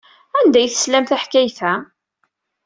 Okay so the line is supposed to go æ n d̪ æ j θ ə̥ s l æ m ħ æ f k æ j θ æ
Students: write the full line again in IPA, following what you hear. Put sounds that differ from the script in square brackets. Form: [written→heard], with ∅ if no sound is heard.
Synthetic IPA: æ n d̪ æ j θ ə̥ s l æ m [ħ→θ] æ [f→ħ] k æ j θ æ